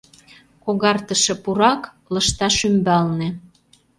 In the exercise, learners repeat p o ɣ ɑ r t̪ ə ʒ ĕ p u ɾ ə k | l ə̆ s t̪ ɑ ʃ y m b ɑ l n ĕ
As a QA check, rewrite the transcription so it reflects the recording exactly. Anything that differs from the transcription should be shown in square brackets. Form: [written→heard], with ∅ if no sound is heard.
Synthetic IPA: [p→k] o ɣ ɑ r t̪ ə [ʒ→ʃ] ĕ p u ɾ [ə→ɑ] k | l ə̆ [s→ʃ] t̪ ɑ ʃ y m b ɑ l n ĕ